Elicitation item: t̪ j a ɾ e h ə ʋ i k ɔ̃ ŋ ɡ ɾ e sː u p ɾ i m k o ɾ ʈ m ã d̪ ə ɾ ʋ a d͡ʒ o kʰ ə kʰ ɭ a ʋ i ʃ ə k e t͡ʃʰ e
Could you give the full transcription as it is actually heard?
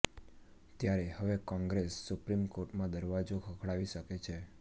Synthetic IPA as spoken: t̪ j a ɾ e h ə ʋ e k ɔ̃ ŋ ɡ ɾ e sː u p ɾ i m k o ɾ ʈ m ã d̪ ə ɾ ʋ a d͡ʒ o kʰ ə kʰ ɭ a ʋ i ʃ ə k e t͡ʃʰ e